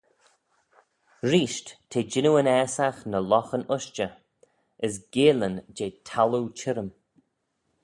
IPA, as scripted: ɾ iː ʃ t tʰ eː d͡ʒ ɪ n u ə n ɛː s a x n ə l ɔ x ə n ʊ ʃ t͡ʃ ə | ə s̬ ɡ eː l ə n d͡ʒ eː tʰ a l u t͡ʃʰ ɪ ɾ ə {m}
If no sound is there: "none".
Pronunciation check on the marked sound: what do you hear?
m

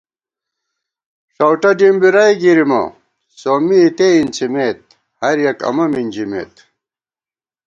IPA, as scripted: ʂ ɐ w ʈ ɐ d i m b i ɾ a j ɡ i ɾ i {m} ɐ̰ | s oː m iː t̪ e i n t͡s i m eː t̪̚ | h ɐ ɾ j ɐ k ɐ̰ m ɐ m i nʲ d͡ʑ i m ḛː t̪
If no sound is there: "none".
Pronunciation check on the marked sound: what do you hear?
m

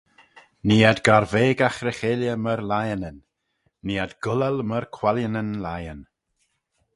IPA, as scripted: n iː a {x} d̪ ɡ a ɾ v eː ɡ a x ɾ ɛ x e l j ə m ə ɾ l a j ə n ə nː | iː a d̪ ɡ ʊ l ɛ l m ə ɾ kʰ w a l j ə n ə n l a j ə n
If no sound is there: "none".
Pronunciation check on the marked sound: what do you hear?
none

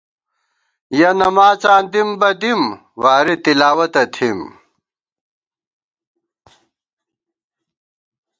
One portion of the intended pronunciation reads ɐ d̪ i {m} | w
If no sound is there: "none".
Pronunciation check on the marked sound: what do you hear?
m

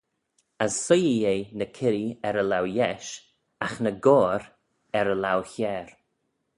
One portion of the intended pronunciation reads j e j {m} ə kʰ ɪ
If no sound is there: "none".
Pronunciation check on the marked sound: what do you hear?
n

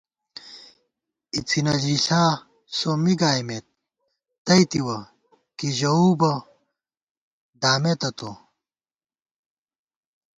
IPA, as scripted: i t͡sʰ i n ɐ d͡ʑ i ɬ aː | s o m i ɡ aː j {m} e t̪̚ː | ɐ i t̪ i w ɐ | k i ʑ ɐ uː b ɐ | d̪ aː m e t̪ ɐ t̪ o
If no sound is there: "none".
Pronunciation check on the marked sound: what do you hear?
m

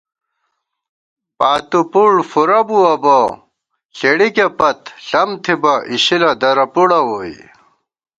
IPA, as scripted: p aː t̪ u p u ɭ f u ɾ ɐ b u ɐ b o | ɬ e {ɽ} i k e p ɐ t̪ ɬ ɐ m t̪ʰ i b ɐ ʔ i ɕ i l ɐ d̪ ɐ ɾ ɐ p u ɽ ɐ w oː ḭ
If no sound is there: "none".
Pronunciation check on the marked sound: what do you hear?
ɽ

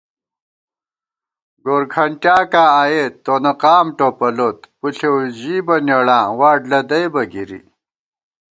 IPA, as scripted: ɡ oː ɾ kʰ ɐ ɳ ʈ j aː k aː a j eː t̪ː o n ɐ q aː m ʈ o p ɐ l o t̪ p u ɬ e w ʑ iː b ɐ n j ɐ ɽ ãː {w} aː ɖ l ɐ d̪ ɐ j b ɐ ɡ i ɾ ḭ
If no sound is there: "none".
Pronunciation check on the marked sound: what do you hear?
w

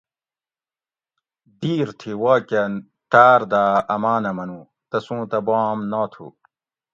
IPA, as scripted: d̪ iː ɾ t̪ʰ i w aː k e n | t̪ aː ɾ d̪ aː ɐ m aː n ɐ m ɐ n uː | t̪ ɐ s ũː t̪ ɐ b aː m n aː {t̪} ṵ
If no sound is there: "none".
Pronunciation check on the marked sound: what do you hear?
t̪ʰ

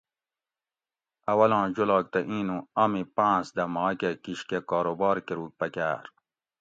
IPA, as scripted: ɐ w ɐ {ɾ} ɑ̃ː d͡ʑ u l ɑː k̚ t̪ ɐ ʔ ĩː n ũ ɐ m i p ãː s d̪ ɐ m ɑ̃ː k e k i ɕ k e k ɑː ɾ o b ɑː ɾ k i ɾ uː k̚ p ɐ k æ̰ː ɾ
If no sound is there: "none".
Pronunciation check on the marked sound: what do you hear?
l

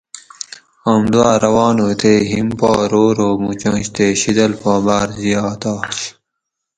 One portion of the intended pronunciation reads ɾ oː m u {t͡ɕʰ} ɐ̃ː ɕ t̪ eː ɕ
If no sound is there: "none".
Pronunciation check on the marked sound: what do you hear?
t͡ɕ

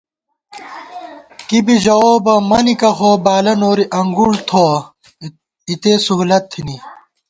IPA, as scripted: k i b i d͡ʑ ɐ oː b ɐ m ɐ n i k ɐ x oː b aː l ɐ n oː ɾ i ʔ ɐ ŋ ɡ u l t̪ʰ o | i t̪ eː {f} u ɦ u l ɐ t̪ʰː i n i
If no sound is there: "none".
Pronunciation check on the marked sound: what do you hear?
s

